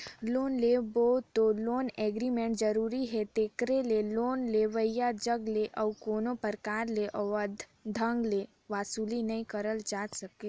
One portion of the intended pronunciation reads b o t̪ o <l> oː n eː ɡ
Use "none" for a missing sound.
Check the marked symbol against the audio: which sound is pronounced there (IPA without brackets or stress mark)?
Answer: l